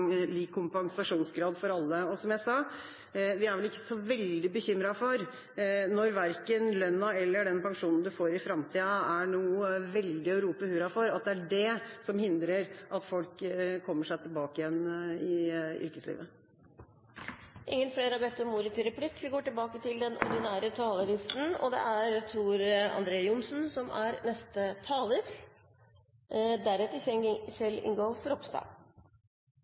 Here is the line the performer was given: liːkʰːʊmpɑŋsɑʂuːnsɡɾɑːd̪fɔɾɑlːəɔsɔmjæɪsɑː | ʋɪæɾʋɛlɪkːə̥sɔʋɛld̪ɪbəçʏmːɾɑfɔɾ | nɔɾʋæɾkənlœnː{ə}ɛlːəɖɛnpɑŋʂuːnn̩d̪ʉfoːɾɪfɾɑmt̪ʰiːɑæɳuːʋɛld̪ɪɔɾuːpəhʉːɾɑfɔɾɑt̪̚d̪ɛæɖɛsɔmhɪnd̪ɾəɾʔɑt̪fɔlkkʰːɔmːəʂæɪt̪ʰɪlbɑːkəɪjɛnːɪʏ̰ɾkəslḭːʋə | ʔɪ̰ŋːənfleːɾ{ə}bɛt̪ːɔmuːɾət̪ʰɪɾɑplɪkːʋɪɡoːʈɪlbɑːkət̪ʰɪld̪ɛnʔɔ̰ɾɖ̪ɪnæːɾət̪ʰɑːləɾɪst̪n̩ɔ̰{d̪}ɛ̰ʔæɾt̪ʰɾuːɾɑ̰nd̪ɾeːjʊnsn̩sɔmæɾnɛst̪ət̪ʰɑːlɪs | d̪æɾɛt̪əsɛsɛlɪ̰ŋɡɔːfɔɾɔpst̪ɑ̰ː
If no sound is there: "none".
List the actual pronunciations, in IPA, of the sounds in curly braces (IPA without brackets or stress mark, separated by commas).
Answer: ɑ, ɑ, d̪